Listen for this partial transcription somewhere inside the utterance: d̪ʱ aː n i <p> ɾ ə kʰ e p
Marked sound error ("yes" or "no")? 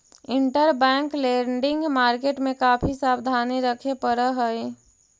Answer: yes